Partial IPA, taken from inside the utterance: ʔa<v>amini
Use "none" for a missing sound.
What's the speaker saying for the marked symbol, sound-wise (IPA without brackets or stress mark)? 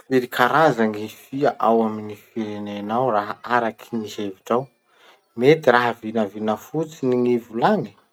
w